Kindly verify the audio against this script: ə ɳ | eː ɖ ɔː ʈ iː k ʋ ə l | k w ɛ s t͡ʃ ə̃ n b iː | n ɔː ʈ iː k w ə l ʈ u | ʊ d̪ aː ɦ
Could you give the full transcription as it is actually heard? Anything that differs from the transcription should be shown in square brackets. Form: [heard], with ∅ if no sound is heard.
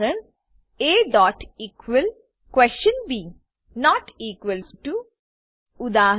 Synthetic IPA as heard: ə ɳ | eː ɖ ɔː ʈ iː k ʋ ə l | k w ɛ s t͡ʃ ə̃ n b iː | n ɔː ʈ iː k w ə l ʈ u | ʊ d̪ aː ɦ